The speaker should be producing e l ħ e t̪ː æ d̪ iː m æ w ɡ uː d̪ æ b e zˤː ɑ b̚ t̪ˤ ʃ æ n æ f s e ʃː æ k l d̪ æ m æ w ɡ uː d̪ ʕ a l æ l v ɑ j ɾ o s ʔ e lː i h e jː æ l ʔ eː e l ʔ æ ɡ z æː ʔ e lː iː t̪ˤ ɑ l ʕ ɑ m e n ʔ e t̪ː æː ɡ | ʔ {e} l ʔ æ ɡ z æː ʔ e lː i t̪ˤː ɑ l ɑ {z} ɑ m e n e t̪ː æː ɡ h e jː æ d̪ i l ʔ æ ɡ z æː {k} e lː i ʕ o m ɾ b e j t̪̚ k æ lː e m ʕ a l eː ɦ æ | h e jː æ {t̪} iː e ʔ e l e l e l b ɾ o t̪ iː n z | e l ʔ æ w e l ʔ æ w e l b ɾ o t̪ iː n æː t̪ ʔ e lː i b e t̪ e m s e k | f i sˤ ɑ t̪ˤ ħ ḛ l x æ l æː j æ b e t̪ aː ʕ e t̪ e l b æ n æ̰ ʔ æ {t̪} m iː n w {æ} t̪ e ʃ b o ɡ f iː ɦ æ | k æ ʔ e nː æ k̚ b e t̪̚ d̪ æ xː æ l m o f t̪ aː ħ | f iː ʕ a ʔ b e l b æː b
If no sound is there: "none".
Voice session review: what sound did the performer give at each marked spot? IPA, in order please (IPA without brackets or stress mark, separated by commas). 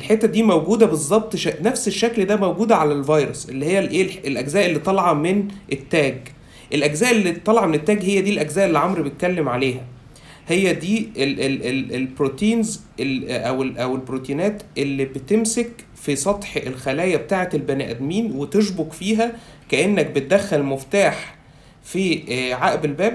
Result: e, ʕ, ʔ, d̪, d̪, e